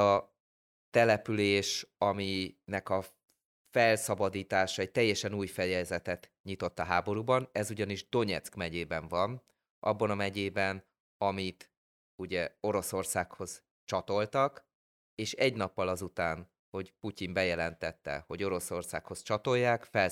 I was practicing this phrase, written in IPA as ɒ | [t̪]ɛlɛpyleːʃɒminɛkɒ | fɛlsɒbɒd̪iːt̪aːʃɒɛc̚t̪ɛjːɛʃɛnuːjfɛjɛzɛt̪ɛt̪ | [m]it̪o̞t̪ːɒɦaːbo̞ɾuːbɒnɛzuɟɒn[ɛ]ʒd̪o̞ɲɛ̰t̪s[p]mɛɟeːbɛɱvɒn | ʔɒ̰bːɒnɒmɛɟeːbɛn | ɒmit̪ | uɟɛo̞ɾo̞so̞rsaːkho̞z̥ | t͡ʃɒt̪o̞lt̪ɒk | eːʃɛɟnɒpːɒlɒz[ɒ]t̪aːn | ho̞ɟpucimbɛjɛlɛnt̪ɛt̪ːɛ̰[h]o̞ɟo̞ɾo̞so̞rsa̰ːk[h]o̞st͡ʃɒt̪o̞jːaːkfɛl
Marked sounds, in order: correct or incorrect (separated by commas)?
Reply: correct, incorrect, incorrect, incorrect, incorrect, correct, correct